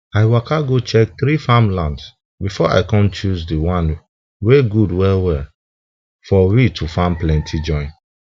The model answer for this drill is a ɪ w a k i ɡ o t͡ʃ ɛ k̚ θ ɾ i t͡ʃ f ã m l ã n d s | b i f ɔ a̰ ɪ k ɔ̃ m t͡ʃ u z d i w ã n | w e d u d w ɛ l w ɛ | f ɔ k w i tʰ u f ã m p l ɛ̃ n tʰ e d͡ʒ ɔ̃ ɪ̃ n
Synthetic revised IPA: a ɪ w a k a ɡ o t͡ʃ ɛ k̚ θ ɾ i f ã m l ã n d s | b i f ɔ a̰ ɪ k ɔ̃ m t͡ʃ u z d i w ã n | w e ɡ u d w ɛ l w ɛ | f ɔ w i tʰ u f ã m p l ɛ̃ n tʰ i d͡ʒ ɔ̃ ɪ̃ n